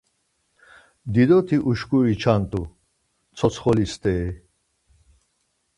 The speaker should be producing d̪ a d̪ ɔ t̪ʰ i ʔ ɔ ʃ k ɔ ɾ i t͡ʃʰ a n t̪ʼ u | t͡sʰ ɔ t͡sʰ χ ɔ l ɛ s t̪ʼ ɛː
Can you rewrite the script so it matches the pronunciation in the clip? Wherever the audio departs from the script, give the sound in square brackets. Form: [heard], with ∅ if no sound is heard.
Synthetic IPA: d̪ [i] d̪ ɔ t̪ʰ i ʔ [u] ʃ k [u] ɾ i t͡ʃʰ a n t̪ʼ u | t͡sʰ ɔ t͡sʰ χ ɔ l [i] s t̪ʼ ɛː